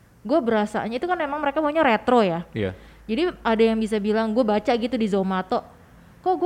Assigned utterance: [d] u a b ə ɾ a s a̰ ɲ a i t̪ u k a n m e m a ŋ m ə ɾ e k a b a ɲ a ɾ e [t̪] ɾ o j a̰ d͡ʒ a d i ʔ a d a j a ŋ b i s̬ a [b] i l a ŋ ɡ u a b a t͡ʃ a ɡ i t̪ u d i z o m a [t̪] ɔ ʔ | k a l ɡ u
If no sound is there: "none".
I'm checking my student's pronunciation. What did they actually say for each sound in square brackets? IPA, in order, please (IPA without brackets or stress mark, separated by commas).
ɡ, t̪, b, t̪